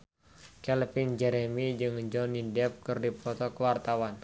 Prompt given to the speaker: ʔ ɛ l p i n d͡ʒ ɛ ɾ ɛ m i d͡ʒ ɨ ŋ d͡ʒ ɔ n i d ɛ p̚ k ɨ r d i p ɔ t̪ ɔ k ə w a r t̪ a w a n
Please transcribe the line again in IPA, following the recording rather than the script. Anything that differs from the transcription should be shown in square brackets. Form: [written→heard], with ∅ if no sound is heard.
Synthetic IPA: [ʔ→k] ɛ l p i n d͡ʒ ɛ ɾ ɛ m i d͡ʒ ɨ ŋ d͡ʒ ɔ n i d ɛ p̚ k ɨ r d i p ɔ t̪ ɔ k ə w a r t̪ a w a n

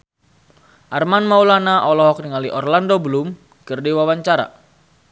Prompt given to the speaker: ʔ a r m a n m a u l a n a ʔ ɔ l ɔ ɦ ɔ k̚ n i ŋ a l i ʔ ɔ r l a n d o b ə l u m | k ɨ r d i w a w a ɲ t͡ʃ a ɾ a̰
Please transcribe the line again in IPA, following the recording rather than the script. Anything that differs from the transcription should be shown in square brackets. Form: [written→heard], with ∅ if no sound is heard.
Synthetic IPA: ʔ a r m a n m a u l a n a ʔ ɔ l ɔ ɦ ɔ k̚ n i ŋ a l i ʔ ɔ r l a n d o b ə l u m | k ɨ r d i w a w a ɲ t͡ʃ a ɾ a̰

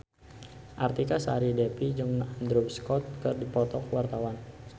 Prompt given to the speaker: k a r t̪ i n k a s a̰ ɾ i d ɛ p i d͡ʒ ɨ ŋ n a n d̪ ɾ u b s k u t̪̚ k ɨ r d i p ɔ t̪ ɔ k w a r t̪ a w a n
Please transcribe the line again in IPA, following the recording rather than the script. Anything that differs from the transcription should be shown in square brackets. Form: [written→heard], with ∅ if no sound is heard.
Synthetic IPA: [k→ʔ] a r t̪ i [n→∅] k a s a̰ ɾ i d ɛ p i d͡ʒ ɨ ŋ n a n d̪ ɾ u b s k [u→ɔ] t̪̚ k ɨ r d i p ɔ t̪ ɔ k w a r t̪ a w a n

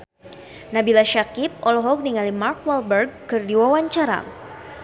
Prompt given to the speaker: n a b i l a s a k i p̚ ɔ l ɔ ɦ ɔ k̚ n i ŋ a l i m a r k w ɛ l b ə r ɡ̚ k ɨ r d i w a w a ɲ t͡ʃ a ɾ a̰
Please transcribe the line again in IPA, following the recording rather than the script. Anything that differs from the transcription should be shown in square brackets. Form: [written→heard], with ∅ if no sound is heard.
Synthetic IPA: n a b i l a [s→ʃ] a k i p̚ ɔ l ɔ ɦ ɔ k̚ n i ŋ a l i m a r k w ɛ l b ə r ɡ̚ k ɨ r d i w a w a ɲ t͡ʃ a ɾ a̰

